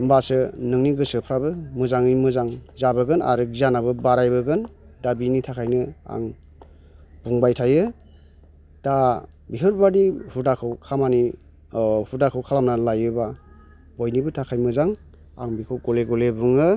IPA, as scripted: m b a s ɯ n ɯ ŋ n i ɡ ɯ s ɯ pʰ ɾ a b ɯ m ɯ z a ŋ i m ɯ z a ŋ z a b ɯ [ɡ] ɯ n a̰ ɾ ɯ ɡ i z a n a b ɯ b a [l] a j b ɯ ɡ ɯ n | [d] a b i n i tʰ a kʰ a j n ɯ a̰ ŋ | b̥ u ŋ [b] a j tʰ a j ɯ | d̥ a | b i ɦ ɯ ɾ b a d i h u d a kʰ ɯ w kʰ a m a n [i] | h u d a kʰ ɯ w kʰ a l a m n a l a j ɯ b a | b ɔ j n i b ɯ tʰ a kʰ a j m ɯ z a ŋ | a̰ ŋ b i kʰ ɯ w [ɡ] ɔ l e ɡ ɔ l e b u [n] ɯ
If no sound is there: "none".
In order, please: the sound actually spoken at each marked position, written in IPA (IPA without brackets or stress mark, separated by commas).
ɡ, ɾ, d, b, i, ɡ, ŋ